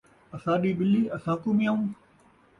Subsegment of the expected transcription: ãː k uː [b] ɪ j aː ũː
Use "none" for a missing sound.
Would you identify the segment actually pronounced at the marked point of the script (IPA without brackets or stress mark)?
m